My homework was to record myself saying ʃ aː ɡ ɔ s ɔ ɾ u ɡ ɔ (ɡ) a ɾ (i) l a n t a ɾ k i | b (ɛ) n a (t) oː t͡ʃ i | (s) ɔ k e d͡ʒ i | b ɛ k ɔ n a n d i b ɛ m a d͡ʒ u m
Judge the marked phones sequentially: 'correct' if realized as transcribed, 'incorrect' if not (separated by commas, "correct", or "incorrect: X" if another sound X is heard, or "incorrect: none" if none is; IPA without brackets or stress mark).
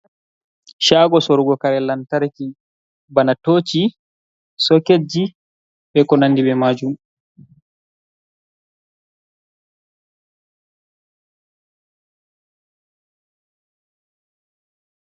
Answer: incorrect: k, incorrect: ɛ, incorrect: a, correct, correct